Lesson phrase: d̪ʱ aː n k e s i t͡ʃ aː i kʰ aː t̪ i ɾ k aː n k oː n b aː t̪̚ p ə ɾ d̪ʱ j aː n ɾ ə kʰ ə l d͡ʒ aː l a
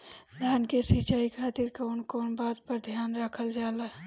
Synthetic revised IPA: d̪ʱ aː n k e s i t͡ʃ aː i kʰ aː t̪ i ɾ k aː n k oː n b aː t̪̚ p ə ɾ d̪ʱ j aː n ɾ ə kʰ ə l d͡ʒ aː l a